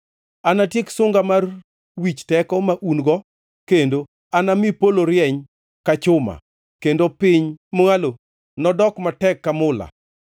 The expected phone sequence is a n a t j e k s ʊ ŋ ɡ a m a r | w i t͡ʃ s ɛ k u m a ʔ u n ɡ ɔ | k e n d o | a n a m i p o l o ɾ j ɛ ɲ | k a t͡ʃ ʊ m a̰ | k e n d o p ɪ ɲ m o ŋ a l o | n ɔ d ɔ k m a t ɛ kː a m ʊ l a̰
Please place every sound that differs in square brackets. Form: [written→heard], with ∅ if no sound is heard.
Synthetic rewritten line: a n a t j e k s ʊ ŋ ɡ a m a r | w i t͡ʃ [s→t] ɛ k [u→ɔ] m a ʔ u n ɡ ɔ | k e n d o | a n a m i p o l o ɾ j ɛ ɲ | k a t͡ʃ ʊ m a̰ | k e n d o p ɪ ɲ m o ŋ a l o | n ɔ d ɔ k m a t ɛ kː a m ʊ l a̰

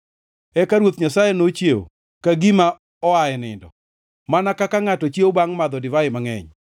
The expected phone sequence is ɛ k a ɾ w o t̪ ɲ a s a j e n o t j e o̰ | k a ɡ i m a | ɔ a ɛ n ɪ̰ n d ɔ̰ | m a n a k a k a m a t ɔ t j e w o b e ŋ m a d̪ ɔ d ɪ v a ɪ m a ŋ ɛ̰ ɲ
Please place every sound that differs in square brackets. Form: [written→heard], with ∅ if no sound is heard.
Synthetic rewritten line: ɛ k a ɾ w o t̪ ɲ a s a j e n o [t→t͡ʃ] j e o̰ | k a ɡ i m a | ɔ a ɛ n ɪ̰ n d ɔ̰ | m a n a k a k a [m→ŋ] a t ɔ [t→t͡ʃ] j e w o b [e→a] ŋ m a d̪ ɔ d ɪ v a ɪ m a ŋ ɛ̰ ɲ

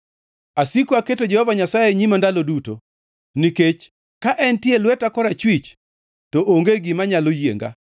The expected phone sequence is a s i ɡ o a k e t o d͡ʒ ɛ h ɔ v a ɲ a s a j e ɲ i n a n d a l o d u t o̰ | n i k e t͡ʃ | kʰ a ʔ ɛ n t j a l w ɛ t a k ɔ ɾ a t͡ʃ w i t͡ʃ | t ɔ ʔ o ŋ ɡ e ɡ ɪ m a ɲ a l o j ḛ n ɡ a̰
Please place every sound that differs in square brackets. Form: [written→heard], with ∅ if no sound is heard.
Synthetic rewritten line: a s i [ɡ→k] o a k e t o d͡ʒ ɛ h ɔ v a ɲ a s a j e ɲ i [n→m] a n d a l o d u t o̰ | n i k e t͡ʃ | [kʰ→k] a ʔ ɛ n t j [a→e] l w ɛ t a k ɔ ɾ a t͡ʃ w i t͡ʃ | t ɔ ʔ o ŋ ɡ e ɡ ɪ m a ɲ a l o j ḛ [n→ŋ] ɡ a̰

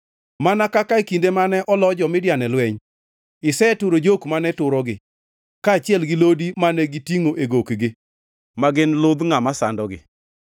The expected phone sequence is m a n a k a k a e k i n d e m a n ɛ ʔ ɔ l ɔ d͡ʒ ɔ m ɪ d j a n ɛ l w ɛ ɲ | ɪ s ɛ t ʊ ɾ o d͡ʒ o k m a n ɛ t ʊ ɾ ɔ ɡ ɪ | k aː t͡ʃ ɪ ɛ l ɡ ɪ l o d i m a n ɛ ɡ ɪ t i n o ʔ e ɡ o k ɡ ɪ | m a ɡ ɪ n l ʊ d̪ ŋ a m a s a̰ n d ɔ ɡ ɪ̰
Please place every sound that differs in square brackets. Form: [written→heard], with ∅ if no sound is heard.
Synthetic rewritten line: m a n a k a k a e k i n d e m a n ɛ ʔ ɔ l ɔ d͡ʒ ɔ m ɪ d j a n ɛ l w ɛ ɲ | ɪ s ɛ t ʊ ɾ o d͡ʒ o k m a n ɛ t ʊ ɾ ɔ ɡ ɪ | k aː t͡ʃ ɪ ɛ l ɡ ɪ l o d i m a n ɛ ɡ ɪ t i [n→ŋ] o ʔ e ɡ o k ɡ ɪ | m a ɡ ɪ n l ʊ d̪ ŋ a m a s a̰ n d ɔ ɡ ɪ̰

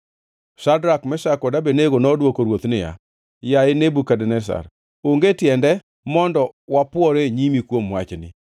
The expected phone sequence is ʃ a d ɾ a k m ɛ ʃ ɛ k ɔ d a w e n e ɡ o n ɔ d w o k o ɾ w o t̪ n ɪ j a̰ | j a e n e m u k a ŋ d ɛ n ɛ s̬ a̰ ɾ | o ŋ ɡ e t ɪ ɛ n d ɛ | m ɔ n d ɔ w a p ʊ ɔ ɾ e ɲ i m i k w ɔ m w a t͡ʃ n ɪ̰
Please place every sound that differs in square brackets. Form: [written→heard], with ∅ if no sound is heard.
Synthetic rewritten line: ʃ a d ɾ a k m ɛ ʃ [ɛ→a] k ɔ d a [w→b] e n e ɡ o n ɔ d w o k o ɾ w o t̪ n ɪ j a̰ | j a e n e [m→b] u k a [ŋ→∅] d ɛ n ɛ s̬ a̰ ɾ | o ŋ ɡ e t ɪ ɛ n d ɛ | m ɔ n d ɔ w a p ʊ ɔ ɾ e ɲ i m i k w [ɔ→o] m w a t͡ʃ n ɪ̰

